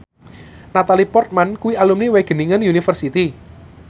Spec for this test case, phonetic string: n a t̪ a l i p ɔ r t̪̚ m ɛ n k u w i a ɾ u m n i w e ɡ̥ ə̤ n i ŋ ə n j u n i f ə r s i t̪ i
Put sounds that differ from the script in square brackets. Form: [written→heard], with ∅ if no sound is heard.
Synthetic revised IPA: n a t̪ a l i p ɔ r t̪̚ m [ɛ→a] n k u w i a [ɾ→l] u m n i w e ɡ̥ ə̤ n i ŋ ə n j u n i f ə r s i t̪ i